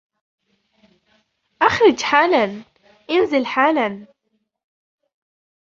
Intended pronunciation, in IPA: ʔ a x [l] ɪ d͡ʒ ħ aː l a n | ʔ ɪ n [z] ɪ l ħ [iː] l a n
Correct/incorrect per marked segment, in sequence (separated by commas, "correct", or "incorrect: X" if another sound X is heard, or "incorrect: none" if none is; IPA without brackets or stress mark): incorrect: ɾ, correct, incorrect: aː